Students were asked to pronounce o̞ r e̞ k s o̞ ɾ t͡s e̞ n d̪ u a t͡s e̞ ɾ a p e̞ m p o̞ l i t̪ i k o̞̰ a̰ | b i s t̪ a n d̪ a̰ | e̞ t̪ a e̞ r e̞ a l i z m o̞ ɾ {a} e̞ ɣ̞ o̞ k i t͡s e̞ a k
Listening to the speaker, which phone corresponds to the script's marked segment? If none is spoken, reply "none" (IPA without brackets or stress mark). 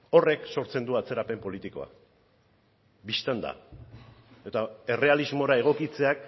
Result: a